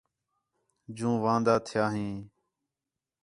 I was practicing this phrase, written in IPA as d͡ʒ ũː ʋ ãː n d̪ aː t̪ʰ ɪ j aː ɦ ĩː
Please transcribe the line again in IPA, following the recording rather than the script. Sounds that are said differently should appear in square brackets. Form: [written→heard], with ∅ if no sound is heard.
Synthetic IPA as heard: d͡ʒ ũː ʋ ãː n d̪ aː t̪ʰ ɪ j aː ɦ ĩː